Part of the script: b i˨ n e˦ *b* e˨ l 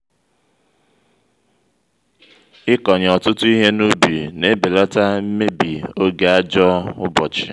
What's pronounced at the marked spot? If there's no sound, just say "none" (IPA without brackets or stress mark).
b